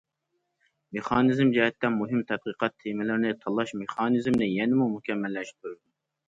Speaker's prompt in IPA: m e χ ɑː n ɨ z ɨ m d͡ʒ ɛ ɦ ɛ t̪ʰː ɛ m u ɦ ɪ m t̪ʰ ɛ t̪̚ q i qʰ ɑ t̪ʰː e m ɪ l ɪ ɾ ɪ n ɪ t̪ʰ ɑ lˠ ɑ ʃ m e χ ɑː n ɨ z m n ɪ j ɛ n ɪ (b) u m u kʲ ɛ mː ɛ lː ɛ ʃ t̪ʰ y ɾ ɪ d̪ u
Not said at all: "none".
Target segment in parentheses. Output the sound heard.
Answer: m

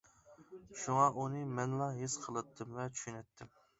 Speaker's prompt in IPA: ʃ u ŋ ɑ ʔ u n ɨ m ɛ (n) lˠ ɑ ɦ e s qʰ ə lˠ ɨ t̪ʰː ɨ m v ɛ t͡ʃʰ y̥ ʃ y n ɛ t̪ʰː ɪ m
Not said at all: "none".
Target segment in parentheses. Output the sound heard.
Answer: n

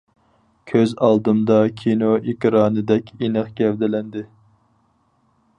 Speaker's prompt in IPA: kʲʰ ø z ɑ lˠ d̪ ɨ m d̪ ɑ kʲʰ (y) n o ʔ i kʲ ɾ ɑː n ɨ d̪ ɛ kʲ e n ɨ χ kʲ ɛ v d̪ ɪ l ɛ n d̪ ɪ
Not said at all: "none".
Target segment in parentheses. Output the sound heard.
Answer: i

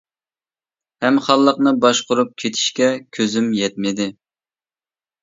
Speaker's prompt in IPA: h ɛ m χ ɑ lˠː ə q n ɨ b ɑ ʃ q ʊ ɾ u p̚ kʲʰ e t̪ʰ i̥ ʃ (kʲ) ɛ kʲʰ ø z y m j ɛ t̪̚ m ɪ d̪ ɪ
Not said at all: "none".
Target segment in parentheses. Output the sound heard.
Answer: kʲ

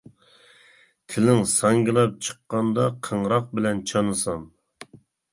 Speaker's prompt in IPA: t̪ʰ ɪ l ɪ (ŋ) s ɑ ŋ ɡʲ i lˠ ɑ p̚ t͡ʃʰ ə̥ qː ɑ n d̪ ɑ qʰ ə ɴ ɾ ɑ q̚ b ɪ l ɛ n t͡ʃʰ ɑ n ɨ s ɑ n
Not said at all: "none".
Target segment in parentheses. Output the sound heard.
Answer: ŋ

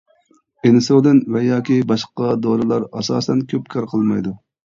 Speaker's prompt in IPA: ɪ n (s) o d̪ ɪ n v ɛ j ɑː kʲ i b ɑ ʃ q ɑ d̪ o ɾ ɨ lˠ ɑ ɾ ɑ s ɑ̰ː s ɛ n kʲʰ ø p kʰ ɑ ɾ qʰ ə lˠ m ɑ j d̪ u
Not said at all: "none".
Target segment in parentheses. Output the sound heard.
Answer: s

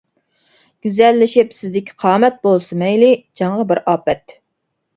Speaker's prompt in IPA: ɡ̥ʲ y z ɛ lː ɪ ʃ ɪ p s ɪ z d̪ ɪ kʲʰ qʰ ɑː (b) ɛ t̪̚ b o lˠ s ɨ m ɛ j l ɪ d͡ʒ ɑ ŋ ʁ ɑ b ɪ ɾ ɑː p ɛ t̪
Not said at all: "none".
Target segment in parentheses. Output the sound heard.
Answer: m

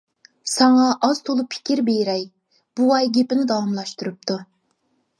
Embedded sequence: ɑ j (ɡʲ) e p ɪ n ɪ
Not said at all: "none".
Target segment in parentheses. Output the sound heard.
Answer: ɡʲ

